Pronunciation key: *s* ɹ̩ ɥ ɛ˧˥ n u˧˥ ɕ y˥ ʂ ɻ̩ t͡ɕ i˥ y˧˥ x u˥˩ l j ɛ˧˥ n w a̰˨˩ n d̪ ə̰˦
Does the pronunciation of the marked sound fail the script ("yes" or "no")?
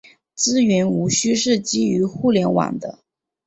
yes